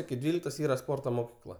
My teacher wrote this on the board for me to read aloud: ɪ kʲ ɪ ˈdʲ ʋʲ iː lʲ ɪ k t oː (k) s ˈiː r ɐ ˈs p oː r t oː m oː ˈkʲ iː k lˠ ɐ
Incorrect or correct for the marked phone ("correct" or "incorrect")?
incorrect